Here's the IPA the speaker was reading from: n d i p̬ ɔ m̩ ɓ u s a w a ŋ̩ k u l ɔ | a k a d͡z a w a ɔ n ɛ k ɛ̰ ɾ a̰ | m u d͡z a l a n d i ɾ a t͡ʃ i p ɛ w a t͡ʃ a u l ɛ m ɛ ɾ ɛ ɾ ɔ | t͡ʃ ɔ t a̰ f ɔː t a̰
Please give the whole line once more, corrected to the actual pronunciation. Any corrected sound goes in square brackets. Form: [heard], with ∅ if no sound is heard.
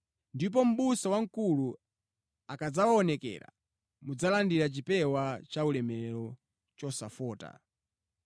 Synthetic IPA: n d i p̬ ɔ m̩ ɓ u s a w a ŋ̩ k u l [u] | a k a d͡z a w a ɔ n ɛ k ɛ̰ ɾ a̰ | m u d͡z a l a n d i ɾ a t͡ʃ i p ɛ w a t͡ʃ a u l ɛ m ɛ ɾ ɛ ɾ ɔ | t͡ʃ ɔ [s] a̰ f ɔː t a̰